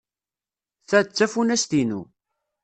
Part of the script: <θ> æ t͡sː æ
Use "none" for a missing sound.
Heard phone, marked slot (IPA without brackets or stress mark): θ